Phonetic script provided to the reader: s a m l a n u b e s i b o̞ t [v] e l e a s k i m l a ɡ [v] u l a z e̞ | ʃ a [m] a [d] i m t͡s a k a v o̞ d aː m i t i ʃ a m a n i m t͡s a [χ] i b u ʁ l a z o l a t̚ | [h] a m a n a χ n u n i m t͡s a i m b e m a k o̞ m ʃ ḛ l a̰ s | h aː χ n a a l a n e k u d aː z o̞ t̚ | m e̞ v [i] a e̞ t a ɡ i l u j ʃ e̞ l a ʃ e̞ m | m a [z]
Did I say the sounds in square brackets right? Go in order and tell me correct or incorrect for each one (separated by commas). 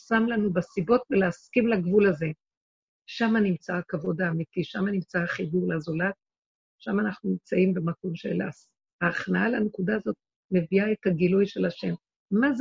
correct, correct, correct, incorrect, correct, incorrect, correct, correct